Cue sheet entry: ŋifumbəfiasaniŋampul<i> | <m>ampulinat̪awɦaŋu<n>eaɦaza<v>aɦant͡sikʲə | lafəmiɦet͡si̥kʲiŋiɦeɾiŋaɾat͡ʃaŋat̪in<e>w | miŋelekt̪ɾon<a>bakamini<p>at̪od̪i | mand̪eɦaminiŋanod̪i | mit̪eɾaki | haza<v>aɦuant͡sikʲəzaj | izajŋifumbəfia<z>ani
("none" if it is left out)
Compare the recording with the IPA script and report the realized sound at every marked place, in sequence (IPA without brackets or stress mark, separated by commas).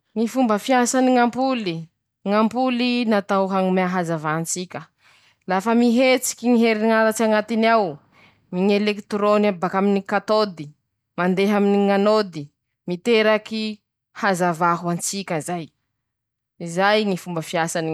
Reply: i, ŋ, m, v, a, a, k, v, s